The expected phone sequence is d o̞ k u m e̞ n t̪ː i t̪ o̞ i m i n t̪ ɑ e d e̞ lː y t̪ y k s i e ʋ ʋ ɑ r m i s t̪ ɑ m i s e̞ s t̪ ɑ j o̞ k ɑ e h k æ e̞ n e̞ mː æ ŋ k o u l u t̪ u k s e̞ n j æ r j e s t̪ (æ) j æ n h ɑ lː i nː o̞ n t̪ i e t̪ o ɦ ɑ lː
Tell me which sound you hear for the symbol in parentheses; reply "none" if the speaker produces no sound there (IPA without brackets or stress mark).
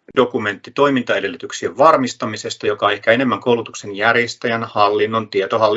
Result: æ